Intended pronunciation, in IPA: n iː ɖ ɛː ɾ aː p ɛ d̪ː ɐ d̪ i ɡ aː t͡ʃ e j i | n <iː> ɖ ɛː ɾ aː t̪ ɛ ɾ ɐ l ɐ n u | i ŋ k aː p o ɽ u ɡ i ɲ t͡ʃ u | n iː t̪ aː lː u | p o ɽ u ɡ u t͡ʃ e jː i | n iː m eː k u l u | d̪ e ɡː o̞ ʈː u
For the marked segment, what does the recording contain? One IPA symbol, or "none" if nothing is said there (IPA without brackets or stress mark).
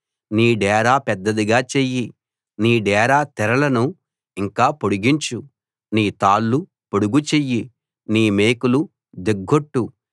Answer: iː